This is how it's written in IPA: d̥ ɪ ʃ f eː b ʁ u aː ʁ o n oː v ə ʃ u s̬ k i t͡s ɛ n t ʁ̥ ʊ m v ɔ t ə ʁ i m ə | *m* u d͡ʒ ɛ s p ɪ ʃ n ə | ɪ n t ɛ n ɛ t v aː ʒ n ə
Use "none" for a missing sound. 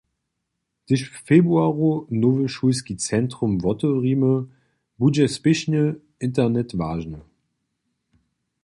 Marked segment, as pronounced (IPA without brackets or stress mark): b